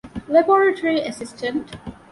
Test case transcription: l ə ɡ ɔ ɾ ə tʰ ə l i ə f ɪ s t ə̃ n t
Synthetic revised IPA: l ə b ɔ ɹ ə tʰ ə ɹ i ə s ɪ s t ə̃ n t